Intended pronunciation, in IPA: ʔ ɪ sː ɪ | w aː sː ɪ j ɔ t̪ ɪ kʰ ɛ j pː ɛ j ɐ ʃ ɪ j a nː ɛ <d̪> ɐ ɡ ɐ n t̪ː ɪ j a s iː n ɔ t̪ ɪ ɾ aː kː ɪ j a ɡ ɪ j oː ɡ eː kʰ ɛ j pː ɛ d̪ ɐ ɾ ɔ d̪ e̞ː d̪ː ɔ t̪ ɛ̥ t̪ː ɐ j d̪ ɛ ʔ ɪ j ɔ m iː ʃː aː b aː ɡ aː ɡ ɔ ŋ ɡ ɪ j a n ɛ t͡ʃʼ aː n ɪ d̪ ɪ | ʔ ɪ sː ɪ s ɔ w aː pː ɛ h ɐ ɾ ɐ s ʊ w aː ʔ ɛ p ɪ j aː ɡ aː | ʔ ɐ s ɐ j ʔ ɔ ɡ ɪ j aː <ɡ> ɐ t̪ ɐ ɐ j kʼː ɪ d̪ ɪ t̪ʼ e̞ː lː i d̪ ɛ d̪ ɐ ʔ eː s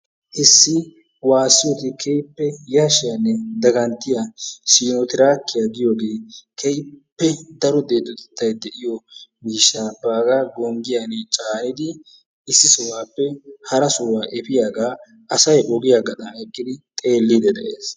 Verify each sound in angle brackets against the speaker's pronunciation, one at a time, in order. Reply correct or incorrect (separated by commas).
correct, correct